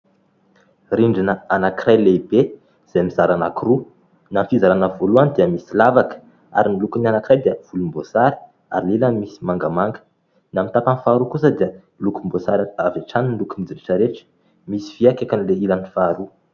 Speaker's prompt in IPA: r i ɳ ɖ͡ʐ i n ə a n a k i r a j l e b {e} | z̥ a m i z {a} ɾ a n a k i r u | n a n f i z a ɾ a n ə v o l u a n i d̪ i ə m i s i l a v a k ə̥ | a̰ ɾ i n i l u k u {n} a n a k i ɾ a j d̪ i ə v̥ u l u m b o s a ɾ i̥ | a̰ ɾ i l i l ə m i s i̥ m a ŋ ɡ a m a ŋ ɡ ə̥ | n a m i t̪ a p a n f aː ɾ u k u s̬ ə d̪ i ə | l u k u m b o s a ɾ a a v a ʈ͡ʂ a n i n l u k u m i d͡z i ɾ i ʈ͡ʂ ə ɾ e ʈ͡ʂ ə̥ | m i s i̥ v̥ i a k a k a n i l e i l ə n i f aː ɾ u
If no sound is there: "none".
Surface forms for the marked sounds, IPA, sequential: e, a, n

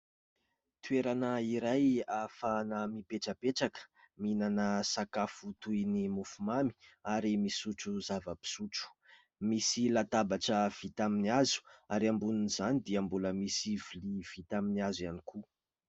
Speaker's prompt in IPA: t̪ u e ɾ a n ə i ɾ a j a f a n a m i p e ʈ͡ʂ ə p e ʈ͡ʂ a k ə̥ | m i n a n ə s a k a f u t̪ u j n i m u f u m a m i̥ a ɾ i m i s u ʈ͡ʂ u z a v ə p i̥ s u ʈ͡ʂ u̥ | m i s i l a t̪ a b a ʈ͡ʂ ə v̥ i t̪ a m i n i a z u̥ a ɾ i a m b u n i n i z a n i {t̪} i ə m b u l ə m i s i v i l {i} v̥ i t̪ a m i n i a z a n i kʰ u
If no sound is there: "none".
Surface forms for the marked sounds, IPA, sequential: d̪, i

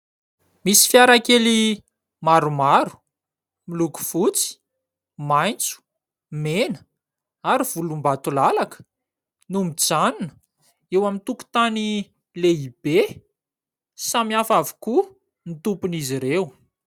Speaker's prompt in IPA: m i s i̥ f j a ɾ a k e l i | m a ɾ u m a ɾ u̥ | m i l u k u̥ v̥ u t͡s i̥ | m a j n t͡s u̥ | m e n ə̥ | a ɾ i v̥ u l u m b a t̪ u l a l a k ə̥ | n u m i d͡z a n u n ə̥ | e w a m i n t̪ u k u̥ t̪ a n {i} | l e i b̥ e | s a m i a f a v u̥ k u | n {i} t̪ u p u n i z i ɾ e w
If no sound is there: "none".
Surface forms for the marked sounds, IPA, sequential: i, i

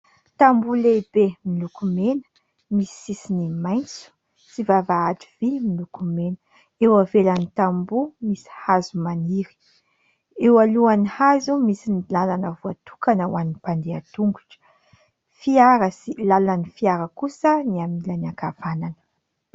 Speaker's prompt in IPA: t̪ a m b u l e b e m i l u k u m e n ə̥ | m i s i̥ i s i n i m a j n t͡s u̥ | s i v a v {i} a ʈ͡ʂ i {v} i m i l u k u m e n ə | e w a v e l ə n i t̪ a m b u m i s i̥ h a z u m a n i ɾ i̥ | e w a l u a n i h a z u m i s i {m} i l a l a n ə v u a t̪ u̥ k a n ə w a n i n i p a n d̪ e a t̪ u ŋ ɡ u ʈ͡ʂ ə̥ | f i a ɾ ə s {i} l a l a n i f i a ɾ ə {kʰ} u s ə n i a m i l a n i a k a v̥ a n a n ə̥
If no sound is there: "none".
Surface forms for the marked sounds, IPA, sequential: a, v, n, i, k

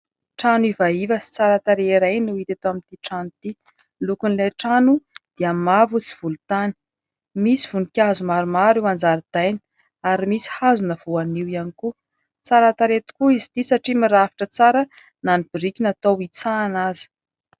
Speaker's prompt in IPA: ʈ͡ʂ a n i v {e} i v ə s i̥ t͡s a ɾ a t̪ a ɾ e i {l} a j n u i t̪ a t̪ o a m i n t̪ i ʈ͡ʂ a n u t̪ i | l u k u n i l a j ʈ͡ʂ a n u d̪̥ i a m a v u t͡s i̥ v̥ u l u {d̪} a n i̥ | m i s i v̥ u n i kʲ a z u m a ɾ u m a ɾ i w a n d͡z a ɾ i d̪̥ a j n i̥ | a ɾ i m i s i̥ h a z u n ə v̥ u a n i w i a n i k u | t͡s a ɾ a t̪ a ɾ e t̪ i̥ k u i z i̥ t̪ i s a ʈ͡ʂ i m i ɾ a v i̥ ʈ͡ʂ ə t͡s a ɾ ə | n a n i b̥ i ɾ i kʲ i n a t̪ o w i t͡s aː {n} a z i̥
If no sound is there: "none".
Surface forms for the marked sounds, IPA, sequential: a, ɾ, t̪, n

